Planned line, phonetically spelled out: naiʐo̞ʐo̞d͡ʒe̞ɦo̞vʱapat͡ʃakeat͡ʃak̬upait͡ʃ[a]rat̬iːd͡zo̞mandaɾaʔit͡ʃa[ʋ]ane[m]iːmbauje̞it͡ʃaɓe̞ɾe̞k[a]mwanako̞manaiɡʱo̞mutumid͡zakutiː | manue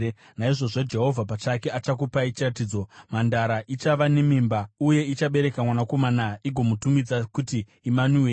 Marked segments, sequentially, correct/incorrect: incorrect, correct, correct, correct

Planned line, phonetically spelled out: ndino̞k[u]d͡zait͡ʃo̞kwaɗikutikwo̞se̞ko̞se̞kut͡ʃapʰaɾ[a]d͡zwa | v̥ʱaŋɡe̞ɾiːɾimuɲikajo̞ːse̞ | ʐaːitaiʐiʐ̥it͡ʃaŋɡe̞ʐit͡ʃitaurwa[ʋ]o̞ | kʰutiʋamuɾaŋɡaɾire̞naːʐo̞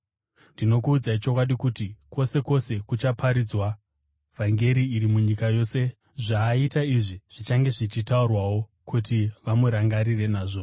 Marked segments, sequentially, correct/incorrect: incorrect, incorrect, incorrect

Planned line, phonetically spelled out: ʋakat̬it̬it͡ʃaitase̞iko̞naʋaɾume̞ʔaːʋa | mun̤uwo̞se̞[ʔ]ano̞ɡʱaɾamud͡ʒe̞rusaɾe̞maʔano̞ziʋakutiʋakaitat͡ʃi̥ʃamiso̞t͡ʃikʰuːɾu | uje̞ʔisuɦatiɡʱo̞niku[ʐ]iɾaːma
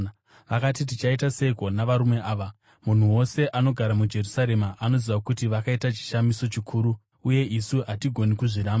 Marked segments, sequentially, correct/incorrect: correct, correct

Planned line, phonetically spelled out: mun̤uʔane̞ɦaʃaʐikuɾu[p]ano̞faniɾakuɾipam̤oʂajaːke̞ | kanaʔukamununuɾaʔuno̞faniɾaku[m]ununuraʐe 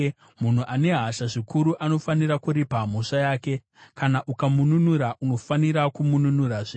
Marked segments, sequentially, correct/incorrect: incorrect, correct

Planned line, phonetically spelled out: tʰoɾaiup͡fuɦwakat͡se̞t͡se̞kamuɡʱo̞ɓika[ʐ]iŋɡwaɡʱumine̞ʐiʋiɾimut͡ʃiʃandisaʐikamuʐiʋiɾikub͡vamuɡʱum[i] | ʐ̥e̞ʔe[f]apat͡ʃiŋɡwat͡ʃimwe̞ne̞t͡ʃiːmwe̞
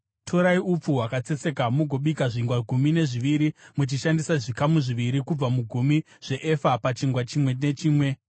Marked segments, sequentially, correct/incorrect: correct, correct, correct

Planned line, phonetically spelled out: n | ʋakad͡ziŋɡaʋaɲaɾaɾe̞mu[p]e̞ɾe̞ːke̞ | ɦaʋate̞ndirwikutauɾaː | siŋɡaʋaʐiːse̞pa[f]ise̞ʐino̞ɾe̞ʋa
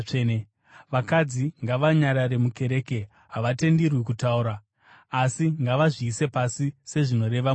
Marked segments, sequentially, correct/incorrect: incorrect, incorrect

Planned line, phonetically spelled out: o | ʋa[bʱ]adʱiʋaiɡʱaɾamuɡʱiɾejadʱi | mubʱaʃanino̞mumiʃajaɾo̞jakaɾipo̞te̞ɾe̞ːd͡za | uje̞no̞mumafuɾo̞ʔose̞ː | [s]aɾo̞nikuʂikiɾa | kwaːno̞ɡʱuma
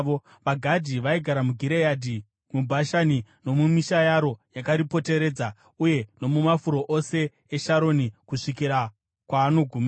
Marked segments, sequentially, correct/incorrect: incorrect, incorrect

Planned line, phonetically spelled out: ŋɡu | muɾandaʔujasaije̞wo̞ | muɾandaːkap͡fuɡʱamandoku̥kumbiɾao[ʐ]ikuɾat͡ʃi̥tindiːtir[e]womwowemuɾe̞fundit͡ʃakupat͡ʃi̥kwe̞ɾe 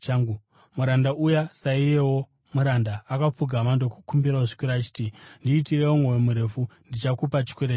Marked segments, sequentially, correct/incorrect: correct, correct

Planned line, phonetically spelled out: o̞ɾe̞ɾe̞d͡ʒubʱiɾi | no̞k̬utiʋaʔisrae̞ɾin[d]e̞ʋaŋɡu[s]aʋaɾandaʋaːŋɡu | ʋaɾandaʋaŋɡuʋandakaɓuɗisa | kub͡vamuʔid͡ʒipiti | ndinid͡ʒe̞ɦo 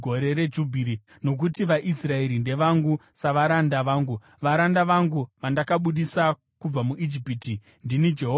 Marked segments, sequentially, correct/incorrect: correct, correct

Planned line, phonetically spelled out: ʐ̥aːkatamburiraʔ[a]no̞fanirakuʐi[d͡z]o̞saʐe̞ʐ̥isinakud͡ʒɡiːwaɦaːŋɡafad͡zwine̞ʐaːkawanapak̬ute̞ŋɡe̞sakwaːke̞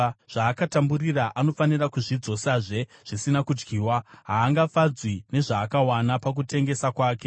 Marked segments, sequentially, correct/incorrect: correct, correct

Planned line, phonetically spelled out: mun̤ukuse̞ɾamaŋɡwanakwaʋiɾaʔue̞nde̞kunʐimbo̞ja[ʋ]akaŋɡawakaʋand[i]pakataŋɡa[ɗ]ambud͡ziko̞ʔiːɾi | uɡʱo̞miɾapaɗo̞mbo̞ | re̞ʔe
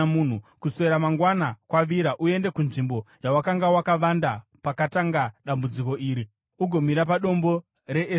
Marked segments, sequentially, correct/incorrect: incorrect, incorrect, correct

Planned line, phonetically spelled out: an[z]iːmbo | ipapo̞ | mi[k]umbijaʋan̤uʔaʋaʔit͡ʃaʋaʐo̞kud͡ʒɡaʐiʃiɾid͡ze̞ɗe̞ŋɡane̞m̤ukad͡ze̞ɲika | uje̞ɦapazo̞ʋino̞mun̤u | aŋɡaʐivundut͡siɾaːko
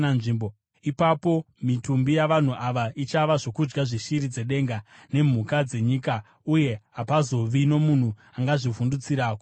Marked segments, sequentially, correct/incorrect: incorrect, incorrect

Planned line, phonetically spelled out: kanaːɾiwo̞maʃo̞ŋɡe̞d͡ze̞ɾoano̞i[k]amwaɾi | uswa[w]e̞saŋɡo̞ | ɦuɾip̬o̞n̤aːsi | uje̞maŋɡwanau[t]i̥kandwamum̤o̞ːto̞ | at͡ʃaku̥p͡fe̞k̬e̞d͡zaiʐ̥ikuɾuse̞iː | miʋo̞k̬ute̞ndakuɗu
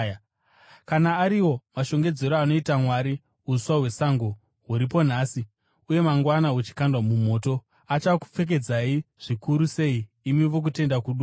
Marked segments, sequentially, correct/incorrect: incorrect, correct, incorrect

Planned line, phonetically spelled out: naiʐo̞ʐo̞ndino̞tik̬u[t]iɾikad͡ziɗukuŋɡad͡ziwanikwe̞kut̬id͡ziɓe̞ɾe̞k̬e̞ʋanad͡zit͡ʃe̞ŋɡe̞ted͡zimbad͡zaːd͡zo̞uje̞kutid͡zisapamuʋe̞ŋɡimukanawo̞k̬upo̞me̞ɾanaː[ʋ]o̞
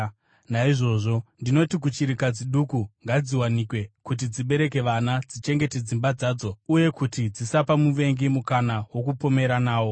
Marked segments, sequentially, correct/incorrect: incorrect, incorrect

